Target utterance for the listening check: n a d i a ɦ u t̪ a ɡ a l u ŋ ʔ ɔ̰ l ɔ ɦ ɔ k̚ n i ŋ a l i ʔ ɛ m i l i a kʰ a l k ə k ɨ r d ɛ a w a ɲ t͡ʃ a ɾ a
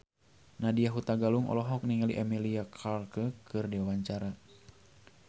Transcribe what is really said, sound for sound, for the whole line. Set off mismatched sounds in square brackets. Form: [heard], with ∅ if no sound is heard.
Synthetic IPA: n a d i a ɦ u t̪ a ɡ a l u ŋ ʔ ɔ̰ l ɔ ɦ ɔ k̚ n i ŋ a l i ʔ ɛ m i l i a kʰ a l k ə k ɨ r d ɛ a w a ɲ t͡ʃ a ɾ a